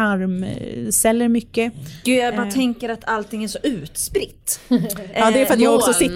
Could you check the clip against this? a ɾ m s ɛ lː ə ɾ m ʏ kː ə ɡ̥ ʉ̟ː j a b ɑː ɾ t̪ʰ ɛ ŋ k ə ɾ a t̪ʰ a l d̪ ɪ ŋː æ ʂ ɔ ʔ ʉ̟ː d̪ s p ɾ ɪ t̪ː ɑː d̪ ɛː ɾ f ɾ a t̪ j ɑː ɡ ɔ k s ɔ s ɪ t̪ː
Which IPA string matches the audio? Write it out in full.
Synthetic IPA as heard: a ɾ m s ɛ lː ə ɾ m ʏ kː ə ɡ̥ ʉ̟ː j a b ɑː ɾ t̪ʰ ɛ ŋ k ə ɾ a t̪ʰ a l t̪ ɪ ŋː æ ʂ ɔ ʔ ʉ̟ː t̪ s p ɾ ɪ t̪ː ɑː d̪ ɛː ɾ f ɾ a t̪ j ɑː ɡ ɔ k s ɔ s ɪ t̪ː